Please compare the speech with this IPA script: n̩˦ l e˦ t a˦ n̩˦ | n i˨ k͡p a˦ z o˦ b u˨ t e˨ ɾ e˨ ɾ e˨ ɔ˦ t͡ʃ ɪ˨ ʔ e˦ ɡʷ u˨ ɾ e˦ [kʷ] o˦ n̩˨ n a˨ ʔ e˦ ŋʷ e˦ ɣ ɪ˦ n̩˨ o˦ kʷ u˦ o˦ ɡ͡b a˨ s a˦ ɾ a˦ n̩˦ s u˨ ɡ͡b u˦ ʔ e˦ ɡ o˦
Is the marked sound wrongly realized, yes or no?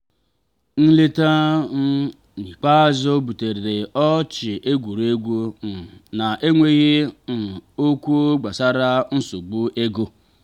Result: yes